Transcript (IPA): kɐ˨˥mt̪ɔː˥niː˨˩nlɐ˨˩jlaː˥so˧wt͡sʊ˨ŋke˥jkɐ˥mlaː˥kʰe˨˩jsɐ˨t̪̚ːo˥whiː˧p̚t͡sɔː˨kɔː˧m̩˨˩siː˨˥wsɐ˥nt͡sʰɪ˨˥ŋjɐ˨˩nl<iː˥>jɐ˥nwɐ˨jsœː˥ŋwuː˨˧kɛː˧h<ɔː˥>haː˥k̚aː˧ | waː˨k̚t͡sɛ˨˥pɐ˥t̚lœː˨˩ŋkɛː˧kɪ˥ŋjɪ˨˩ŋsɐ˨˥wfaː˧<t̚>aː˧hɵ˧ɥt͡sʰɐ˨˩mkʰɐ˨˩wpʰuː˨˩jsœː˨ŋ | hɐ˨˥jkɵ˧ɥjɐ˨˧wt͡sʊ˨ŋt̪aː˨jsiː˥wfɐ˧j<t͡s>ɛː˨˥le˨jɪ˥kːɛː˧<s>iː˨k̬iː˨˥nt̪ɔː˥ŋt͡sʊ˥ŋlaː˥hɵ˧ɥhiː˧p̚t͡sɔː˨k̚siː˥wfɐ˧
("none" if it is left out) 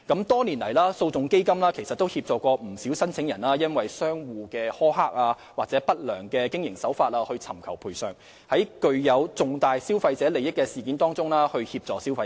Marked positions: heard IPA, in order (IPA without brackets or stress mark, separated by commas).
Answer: aː˥, ɔː˥, t̚, t͡s, s